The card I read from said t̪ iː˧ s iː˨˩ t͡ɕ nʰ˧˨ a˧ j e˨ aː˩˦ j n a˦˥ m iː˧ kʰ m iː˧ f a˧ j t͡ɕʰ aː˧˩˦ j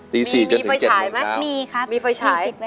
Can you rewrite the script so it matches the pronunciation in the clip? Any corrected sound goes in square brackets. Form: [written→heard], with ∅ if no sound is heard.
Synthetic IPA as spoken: t̪ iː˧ s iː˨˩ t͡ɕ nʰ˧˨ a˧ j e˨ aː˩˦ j [n→m] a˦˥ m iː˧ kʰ m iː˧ f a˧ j t͡ɕʰ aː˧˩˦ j